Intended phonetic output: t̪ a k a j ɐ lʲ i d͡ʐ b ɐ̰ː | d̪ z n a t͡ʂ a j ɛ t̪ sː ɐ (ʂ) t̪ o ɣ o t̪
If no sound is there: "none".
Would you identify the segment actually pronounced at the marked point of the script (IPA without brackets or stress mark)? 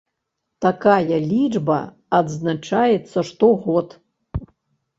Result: ʂ